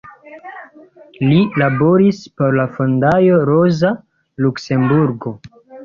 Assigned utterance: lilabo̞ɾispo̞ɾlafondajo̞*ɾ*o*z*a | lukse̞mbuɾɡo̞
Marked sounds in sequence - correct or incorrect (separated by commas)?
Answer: correct, correct